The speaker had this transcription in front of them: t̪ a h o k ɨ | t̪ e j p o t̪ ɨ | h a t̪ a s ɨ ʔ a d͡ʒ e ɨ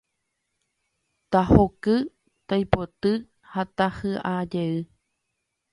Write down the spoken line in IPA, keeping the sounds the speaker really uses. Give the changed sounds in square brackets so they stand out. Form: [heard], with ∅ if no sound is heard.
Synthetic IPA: t̪ a h o k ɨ | t̪ [a] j p o t̪ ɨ | h a t̪ a [h] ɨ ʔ a d͡ʒ e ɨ